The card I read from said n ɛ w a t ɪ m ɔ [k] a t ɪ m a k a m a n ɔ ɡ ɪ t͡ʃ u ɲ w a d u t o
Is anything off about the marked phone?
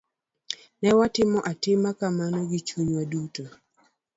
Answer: yes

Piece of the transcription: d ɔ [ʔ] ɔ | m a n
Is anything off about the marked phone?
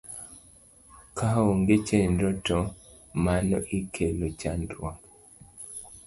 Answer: yes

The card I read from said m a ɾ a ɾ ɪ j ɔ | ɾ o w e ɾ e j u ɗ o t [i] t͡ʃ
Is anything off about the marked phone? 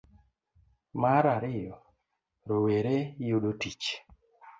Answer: no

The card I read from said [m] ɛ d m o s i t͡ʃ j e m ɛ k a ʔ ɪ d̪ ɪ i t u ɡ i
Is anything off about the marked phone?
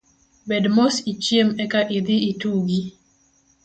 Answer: yes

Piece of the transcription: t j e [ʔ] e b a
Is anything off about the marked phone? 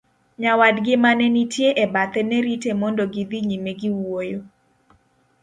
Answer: no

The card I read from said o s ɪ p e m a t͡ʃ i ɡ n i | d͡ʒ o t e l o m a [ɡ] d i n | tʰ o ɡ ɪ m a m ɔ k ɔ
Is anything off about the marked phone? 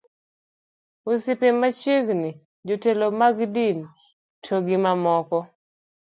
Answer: no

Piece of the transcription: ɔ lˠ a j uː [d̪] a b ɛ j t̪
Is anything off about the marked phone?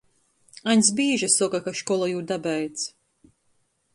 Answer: no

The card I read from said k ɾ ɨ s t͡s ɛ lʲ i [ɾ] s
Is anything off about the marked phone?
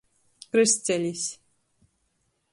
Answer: yes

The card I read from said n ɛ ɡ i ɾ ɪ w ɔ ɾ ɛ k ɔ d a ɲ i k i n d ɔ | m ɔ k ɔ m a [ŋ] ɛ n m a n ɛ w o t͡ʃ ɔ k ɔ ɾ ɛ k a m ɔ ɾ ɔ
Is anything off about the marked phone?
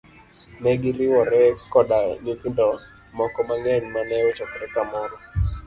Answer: no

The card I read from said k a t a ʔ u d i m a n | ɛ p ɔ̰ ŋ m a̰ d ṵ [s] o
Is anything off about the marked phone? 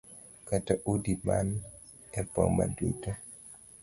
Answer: yes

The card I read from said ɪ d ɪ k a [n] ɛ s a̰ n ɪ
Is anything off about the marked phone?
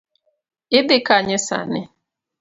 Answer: yes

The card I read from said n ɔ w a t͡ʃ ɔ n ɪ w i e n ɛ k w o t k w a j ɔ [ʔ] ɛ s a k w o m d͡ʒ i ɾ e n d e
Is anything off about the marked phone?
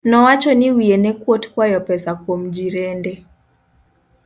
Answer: yes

